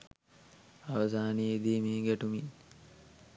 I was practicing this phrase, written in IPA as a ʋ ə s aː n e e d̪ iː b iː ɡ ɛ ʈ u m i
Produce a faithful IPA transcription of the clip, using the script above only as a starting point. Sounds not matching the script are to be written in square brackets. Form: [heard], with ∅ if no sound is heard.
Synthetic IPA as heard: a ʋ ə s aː n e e d̪ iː [m] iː ɡ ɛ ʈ u m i